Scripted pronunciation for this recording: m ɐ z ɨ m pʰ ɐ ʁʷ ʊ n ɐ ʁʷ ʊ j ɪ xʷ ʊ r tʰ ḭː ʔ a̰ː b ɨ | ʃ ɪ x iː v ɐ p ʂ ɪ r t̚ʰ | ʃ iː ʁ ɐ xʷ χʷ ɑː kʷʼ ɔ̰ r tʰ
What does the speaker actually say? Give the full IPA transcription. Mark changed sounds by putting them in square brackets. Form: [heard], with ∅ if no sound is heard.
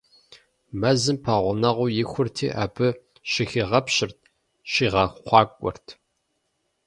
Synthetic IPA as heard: m ɐ z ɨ m pʰ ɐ ʁʷ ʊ n ɐ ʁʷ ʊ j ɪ xʷ ʊ r tʰ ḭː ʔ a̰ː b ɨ | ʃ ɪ x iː [ʁ] ɐ p [ɕ] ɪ r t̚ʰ | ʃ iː ʁ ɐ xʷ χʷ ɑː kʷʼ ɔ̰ r tʰ